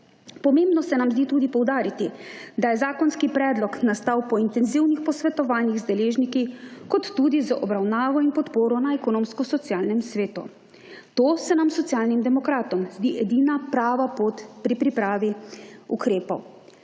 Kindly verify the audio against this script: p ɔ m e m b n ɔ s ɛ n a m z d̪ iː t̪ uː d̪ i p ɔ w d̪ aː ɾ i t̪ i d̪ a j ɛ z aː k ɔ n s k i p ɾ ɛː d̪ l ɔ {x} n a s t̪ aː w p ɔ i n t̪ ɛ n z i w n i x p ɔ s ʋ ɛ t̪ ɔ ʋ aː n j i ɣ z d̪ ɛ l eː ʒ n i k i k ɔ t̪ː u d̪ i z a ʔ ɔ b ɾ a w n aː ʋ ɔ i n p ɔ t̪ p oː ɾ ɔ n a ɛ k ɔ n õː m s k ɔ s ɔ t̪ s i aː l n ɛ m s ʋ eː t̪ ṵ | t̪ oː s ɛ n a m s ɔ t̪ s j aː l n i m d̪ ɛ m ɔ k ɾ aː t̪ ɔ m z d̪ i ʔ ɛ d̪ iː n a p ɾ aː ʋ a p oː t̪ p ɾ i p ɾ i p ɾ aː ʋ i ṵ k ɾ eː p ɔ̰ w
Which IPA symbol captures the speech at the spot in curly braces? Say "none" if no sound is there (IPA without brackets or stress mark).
k